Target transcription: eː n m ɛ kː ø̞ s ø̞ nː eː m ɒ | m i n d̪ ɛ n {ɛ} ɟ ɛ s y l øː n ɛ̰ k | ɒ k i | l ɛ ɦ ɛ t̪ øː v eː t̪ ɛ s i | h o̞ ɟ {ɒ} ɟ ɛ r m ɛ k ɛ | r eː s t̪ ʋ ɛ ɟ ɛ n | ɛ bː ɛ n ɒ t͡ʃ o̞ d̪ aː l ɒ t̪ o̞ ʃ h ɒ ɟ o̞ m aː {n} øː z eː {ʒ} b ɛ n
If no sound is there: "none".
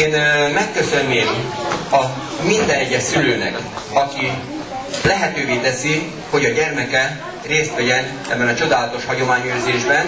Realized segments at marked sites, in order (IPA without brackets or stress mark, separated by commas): ɛ, ɒ, ɲ, ʒ